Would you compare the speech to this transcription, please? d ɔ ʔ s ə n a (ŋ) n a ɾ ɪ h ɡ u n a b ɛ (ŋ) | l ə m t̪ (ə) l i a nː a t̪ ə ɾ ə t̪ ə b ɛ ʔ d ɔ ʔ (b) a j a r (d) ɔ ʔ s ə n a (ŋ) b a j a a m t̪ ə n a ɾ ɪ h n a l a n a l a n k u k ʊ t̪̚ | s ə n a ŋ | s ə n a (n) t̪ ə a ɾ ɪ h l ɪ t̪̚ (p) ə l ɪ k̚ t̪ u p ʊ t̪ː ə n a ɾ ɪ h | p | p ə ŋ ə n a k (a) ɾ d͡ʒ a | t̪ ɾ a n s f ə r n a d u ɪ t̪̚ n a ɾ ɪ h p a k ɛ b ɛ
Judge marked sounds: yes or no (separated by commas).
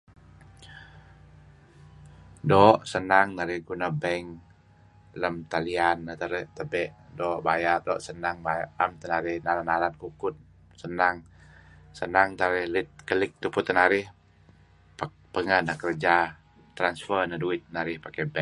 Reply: yes, yes, no, yes, yes, yes, no, no, no